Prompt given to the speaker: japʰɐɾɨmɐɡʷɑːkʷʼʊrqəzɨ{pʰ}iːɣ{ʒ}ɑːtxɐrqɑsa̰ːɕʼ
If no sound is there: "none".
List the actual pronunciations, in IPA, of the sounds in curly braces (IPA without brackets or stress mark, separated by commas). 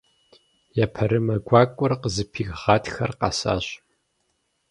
pʰ, ʁ